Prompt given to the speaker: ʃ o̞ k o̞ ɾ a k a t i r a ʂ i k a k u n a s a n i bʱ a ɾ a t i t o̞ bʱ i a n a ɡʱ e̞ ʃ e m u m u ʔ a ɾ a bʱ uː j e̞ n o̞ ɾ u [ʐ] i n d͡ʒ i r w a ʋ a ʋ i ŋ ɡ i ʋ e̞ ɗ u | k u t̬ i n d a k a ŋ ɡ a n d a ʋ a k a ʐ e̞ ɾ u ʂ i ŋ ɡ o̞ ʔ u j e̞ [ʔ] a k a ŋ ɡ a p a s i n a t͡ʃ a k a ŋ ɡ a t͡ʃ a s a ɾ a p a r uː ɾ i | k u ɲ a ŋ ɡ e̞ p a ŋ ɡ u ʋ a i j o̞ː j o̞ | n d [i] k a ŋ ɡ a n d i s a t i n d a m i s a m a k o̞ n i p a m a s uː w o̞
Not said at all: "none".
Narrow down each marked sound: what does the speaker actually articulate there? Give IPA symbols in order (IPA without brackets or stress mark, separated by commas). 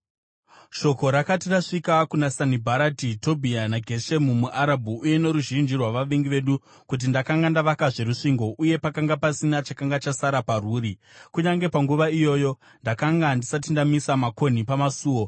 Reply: ʒ, p, a